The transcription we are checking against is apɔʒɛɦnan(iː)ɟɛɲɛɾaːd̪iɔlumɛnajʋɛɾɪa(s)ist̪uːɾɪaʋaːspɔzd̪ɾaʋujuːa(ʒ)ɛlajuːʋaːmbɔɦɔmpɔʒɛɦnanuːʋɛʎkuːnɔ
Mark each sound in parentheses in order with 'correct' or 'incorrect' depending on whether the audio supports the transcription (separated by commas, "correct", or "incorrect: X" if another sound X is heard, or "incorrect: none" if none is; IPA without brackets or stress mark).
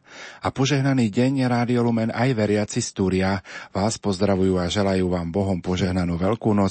correct, incorrect: t͡s, correct